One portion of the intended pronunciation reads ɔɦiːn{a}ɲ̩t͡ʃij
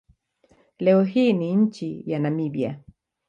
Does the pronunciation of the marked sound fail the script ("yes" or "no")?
yes